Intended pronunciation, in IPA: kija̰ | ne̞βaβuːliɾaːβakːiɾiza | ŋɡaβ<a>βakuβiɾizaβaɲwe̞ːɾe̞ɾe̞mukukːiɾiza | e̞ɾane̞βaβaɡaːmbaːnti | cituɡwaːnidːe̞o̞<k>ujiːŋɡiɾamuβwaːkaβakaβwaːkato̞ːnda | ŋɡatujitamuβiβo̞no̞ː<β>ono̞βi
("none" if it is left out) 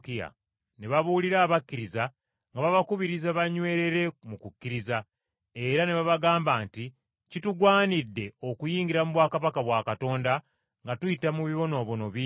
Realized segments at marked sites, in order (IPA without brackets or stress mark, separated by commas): a, k, β